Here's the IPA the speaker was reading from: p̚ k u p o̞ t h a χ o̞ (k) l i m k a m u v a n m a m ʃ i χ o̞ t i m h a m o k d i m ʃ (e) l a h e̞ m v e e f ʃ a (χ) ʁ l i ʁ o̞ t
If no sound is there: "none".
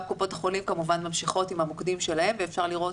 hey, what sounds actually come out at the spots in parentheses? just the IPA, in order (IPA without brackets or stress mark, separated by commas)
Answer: none, e, none